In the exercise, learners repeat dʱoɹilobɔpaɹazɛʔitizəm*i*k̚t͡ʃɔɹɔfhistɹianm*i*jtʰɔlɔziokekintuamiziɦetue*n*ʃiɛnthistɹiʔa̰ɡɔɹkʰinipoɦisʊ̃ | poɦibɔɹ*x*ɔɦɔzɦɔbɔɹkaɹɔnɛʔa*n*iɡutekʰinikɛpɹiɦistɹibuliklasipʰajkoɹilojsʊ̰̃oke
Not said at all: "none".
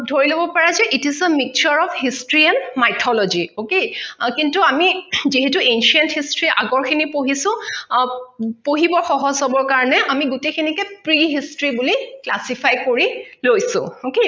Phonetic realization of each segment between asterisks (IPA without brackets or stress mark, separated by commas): i, a, n, x, m